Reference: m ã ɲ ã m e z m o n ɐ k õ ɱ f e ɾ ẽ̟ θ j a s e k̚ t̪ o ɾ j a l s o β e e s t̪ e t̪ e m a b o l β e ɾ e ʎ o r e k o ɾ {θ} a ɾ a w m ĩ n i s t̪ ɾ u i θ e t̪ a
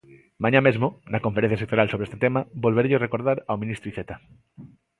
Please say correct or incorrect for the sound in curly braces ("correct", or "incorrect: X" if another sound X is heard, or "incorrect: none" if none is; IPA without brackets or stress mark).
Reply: incorrect: ð